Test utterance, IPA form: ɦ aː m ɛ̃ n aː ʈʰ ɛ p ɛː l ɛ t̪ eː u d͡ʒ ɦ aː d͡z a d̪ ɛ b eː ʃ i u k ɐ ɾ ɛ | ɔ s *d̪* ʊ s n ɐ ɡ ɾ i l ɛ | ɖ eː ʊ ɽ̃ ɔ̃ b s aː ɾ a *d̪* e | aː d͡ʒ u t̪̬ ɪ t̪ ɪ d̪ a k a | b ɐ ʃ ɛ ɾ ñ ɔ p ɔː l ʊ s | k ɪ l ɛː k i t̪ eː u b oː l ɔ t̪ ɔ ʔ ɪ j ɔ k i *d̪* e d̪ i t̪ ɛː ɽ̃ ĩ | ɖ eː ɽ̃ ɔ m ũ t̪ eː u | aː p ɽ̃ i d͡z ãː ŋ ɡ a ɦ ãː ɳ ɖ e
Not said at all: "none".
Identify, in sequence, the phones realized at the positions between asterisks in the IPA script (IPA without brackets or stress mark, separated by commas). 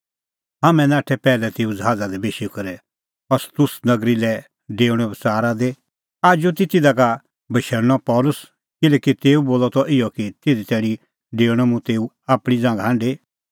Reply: t̪, d̪, t̪